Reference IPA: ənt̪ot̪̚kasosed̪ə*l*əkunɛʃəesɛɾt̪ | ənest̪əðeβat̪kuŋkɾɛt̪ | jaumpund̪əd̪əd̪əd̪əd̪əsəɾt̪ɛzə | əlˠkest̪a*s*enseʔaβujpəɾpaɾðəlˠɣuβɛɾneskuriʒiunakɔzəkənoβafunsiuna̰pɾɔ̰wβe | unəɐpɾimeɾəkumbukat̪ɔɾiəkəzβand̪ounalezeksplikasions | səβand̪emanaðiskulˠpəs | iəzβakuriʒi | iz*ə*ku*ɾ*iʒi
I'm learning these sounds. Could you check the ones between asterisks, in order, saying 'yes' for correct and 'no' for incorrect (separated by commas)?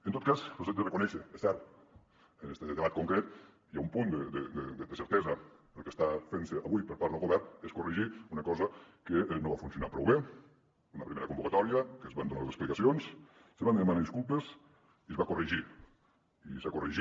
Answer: no, no, no, no